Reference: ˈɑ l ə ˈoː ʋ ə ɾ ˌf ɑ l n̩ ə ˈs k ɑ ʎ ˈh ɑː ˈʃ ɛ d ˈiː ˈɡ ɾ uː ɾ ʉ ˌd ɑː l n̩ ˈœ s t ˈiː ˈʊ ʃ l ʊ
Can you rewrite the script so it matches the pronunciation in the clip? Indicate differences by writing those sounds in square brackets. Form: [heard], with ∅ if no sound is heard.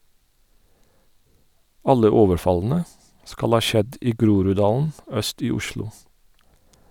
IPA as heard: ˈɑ l ə ˈoː ʋ ə ɾ ˌf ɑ l n̩ ə ˈs k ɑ [l] ˈh ɑː ˈʃ ɛ d ˈiː ˈɡ ɾ uː ɾ ʉ ˌd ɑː l n̩ ˈœ s t ˈiː ˈʊ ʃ l ʊ